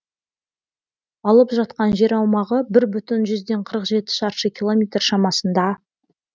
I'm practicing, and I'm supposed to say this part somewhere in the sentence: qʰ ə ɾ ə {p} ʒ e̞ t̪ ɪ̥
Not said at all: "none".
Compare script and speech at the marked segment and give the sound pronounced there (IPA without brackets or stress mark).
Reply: q